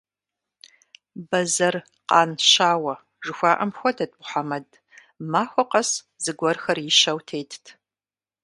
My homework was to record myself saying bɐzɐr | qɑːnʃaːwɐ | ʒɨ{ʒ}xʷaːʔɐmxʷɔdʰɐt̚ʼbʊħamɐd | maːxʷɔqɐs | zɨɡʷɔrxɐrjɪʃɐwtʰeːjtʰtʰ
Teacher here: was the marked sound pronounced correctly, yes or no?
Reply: no